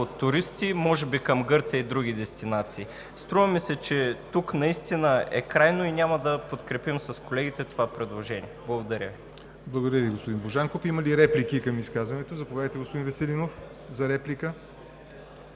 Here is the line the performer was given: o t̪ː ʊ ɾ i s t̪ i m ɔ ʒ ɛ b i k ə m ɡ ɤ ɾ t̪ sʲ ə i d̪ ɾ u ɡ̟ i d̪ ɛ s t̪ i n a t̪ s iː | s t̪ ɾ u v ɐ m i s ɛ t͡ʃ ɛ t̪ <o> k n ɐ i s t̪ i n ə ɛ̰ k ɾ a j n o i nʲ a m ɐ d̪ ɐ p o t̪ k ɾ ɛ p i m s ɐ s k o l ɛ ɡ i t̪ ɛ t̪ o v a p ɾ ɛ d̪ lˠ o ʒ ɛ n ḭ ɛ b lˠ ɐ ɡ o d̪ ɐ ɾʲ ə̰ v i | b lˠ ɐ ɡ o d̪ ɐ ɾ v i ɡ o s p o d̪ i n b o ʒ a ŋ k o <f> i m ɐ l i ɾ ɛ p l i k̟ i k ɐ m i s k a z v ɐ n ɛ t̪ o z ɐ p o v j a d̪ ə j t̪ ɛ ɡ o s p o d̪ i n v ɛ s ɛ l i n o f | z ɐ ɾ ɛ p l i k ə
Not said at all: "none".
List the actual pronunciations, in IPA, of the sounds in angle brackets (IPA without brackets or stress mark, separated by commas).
u, f